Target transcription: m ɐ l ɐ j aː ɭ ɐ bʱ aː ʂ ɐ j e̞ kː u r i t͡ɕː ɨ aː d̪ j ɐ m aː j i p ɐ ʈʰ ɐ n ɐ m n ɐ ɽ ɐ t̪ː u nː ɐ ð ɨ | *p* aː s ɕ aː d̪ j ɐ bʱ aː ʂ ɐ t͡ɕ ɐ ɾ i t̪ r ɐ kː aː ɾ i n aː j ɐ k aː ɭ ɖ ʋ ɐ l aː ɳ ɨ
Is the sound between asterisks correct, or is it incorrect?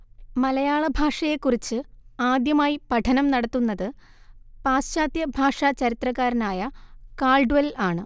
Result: correct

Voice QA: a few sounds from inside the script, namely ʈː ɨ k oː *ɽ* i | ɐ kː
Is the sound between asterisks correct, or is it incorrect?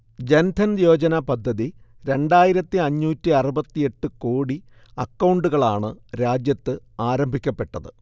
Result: correct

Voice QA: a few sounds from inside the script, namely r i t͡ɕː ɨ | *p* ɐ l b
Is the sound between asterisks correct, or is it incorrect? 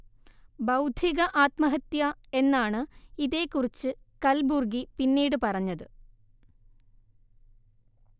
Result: incorrect: k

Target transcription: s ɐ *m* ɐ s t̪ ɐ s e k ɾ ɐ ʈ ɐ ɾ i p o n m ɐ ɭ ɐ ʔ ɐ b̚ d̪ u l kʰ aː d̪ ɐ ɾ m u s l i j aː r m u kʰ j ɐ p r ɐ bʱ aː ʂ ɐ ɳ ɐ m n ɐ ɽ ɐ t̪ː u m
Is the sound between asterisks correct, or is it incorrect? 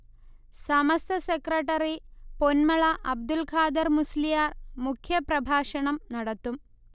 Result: correct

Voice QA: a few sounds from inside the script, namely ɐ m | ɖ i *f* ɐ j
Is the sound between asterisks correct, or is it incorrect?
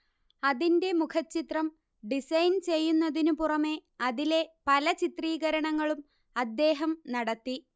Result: incorrect: s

